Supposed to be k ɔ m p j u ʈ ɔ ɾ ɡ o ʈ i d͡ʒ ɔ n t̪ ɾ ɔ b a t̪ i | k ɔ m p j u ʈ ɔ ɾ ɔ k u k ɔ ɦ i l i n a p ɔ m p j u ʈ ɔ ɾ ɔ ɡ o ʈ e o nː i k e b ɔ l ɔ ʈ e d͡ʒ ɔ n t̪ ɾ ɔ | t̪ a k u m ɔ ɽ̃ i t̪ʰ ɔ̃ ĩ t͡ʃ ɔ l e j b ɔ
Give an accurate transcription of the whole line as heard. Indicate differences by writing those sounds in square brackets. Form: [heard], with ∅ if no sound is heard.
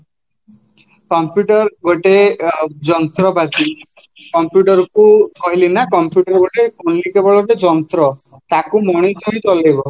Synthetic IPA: k ɔ m p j u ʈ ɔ ɾ ɡ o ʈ [e] d͡ʒ ɔ n t̪ ɾ ɔ b a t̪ i | k ɔ m p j u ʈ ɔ ɾ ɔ k u k ɔ ɦ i l i n a [k] ɔ m p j u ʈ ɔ ɾ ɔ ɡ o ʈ e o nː i k e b ɔ [ɭ] ɔ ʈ e d͡ʒ ɔ n t̪ ɾ ɔ | t̪ a k u m ɔ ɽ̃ i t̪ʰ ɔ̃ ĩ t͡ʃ ɔ l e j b ɔ